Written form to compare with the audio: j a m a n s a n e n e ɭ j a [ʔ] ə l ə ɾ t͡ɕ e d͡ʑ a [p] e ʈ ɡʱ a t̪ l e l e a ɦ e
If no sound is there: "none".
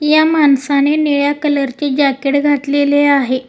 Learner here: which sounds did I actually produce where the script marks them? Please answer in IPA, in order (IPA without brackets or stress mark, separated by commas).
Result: k, k